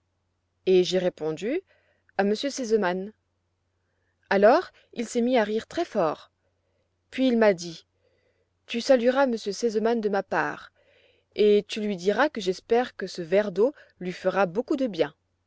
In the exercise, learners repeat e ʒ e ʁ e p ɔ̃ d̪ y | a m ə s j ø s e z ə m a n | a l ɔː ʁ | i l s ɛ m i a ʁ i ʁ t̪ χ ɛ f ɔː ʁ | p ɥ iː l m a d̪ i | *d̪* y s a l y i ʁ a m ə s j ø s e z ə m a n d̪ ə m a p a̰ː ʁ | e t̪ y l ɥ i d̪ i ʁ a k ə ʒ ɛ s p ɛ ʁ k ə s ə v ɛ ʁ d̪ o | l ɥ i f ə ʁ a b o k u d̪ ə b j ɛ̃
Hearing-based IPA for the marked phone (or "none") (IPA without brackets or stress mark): t̪